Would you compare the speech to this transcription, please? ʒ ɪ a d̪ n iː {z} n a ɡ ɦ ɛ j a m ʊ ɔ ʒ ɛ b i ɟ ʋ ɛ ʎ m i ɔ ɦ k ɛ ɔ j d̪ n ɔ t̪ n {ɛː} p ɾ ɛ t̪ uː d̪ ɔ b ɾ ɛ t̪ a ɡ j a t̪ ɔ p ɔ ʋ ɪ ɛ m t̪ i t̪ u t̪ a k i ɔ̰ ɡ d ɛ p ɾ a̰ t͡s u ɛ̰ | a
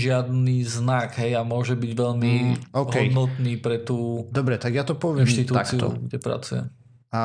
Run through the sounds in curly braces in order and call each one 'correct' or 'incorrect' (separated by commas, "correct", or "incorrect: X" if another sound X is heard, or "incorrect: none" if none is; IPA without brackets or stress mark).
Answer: correct, incorrect: iː